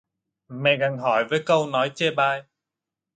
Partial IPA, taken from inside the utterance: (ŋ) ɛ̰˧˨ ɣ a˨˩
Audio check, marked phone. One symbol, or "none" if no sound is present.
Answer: m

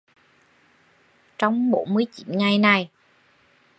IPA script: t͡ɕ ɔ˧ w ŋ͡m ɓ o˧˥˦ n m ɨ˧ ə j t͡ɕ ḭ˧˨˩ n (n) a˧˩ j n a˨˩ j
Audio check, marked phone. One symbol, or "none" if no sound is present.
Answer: ŋ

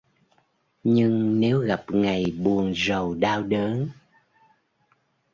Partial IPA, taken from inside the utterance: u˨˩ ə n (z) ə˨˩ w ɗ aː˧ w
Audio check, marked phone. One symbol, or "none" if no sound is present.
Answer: z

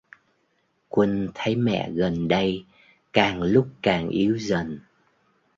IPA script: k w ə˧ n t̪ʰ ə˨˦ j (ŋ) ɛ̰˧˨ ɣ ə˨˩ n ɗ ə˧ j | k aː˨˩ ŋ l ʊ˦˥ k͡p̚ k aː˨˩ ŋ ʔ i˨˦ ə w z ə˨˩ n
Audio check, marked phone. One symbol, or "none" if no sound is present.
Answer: m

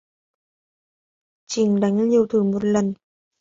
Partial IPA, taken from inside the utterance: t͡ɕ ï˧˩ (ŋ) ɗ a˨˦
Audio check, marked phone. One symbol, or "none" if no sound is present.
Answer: ŋ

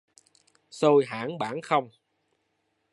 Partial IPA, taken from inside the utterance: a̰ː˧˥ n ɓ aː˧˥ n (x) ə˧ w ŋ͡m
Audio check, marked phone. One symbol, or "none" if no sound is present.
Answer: x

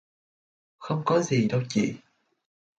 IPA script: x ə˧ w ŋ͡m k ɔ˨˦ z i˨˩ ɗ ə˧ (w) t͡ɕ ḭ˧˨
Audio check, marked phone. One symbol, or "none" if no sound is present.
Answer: w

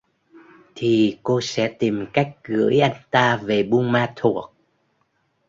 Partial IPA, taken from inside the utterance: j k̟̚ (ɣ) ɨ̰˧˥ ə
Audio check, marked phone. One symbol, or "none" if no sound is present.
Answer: ɣ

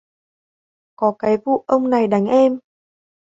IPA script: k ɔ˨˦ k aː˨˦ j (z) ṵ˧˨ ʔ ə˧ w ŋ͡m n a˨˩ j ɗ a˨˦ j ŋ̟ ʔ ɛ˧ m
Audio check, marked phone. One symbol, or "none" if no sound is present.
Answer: v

